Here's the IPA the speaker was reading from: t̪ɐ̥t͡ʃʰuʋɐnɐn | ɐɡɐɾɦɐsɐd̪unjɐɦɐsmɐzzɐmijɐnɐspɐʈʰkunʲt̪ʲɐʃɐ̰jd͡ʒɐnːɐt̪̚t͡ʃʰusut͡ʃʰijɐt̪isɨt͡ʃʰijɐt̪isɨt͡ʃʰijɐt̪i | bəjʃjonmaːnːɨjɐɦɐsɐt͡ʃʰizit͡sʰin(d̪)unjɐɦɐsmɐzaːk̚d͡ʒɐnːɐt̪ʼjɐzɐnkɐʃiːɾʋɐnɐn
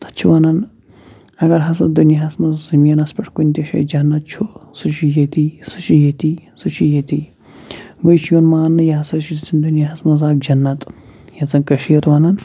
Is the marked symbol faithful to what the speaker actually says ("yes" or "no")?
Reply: yes